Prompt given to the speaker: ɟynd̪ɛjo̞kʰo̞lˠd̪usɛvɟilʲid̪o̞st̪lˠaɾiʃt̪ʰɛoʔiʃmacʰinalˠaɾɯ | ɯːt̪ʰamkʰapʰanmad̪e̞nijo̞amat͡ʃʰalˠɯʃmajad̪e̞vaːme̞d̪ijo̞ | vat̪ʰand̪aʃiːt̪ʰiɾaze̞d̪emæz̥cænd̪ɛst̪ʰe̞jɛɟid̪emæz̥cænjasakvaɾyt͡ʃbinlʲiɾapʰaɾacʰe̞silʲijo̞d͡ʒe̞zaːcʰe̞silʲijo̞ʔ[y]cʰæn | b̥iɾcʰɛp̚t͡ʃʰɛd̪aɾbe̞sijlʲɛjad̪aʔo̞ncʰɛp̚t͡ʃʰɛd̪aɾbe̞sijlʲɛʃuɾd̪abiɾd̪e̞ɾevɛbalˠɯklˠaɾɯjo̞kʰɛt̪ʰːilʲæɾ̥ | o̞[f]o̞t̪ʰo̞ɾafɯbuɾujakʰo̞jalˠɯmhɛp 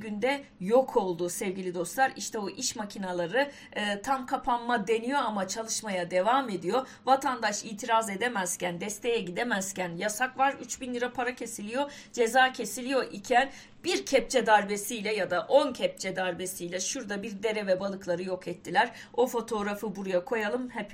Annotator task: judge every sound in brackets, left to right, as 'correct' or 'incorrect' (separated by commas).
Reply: incorrect, correct